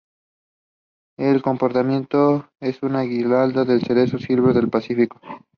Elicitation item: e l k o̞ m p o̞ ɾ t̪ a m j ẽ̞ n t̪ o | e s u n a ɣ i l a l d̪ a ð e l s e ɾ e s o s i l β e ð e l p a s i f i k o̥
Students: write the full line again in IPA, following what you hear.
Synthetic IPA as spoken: e l k o̞ m p o̞ ɾ t̪ a m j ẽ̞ n t̪ o | e s u n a ɣ i l a l d̪ a ð e l s e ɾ e s o s i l β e ð e l p a s i f i k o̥